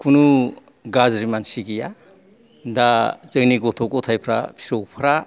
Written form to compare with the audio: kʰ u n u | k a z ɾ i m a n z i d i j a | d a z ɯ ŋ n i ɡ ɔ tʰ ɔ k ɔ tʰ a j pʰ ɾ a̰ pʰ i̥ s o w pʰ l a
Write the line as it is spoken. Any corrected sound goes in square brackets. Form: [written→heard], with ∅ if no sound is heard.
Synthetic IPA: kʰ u n u | [k→ɡ] a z ɾ i m a n [z→s] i [d→ɡ] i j a | d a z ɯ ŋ n i ɡ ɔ tʰ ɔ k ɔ tʰ a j pʰ ɾ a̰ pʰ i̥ s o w pʰ [l→ɾ] a